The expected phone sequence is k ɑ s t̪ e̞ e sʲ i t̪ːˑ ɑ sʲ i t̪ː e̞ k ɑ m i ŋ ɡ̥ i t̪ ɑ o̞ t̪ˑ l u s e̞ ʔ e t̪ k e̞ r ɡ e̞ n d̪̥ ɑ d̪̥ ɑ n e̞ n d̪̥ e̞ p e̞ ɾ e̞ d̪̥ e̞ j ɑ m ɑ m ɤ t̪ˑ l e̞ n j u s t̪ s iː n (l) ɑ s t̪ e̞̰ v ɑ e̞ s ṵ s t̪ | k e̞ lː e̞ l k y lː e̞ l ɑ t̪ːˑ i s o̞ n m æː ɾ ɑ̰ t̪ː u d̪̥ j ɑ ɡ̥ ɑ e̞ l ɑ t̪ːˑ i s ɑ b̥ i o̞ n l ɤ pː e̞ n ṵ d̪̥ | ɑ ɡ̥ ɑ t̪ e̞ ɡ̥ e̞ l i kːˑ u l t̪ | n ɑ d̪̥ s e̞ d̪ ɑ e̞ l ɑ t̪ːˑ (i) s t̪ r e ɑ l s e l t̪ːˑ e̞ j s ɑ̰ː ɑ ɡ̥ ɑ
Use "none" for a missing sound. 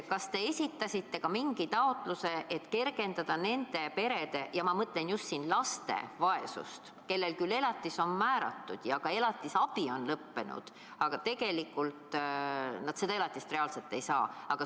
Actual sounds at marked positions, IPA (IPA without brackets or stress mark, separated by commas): l, i